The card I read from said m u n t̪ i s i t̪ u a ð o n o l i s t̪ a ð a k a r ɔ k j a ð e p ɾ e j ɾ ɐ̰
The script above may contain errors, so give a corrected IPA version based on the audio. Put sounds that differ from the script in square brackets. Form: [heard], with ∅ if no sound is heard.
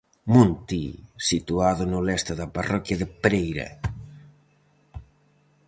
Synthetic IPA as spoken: m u n t̪ i s i t̪ u a ð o n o l [ɛ] s t̪ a ð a [p] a r ɔ k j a ð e p ɾ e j ɾ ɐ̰